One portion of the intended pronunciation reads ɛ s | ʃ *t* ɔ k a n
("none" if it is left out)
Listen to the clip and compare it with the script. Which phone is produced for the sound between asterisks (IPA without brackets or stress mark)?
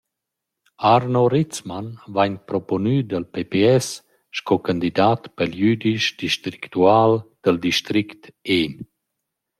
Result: k